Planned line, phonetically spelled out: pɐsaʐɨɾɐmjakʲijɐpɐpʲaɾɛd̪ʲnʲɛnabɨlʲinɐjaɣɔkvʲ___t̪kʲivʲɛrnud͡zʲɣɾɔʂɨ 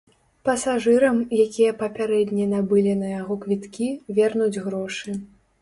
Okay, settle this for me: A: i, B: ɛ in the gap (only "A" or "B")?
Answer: A